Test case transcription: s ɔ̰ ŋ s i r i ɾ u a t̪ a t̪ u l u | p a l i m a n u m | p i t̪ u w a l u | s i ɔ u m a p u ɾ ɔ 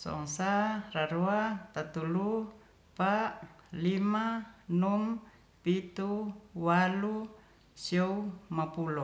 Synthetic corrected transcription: s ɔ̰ ŋ s a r a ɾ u a t̪ a t̪ u l u | p a l i m a n u m | p i t̪ u w a l u | s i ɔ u m a p u l ɔ

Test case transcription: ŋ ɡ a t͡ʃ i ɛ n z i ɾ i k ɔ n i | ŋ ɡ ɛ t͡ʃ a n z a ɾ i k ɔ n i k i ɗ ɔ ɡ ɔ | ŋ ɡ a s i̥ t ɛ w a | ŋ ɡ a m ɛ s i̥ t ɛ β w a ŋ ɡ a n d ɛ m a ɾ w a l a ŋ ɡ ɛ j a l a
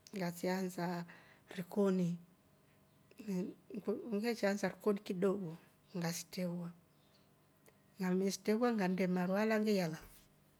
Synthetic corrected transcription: ŋ ɡ a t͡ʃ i a n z a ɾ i k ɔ n i | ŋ ɡ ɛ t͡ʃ a n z a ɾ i k ɔ n i k i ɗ ɔ ɡ ɔ | ŋ ɡ a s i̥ t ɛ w a | ŋ ɡ a m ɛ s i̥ t ɛ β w a ŋ ɡ a n d ɛ m a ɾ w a l a ŋ ɡ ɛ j a l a

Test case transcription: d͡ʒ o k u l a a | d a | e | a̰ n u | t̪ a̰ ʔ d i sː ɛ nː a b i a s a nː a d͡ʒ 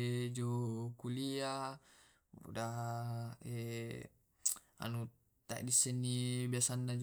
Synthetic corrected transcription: d͡ʒ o k u l i a | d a | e | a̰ n u | t̪ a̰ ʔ d i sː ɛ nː i b i a s a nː a d͡ʒ

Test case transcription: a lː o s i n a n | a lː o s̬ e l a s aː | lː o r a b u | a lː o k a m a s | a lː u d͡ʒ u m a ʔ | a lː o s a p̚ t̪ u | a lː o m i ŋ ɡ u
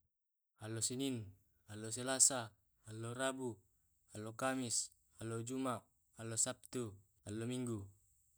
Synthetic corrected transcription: a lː o s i n i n | a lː o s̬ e l a s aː | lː o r a b u | a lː o k a m i s | a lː o d͡ʒ u m a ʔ | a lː o s a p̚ t̪ u | a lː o m i ŋ ɡ u

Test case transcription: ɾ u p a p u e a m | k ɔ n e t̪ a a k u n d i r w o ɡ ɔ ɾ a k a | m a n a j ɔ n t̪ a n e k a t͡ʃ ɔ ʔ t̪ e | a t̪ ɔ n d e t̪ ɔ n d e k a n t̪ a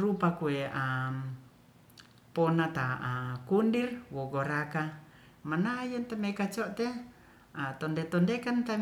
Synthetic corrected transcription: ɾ u p a k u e a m | p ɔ n a t̪ a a k u n d i r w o ɡ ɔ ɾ a k a | m a n a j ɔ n t̪ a m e k a t͡ʃ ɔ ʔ t̪ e | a t̪ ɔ n d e t̪ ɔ n d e k a n t̪ a

